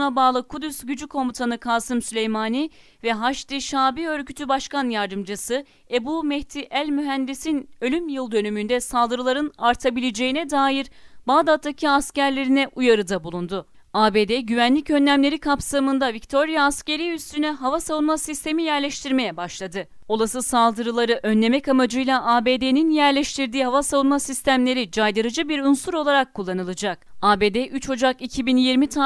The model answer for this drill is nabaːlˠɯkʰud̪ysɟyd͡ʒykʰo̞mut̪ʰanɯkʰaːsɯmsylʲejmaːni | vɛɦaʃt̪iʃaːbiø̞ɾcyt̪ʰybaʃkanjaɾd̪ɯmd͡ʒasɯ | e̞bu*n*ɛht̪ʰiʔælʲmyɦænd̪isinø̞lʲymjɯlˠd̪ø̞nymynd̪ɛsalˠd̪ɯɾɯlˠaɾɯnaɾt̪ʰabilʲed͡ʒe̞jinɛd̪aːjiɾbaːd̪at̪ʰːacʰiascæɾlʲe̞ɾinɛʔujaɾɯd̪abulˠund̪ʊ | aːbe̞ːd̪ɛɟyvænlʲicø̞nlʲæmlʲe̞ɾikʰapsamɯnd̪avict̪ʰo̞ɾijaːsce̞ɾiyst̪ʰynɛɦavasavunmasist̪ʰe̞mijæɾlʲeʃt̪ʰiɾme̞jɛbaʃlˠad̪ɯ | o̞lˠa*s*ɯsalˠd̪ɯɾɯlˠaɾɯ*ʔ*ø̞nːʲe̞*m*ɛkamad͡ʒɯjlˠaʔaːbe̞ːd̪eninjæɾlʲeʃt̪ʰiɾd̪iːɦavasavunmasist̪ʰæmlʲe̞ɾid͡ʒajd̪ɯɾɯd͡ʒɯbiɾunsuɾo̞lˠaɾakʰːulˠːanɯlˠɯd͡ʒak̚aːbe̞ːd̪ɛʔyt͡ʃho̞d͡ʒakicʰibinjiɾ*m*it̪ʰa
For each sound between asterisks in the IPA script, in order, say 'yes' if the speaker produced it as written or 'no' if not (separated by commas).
no, yes, yes, yes, yes